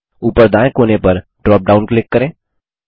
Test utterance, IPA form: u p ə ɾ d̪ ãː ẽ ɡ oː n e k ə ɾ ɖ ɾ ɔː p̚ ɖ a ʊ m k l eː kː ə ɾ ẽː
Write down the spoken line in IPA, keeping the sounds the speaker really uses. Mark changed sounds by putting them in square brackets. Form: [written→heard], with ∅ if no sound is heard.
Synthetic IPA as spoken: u p ə ɾ d̪ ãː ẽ [ɡ→k] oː n e [k→p] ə ɾ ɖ ɾ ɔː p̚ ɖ a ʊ [m→n] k l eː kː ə ɾ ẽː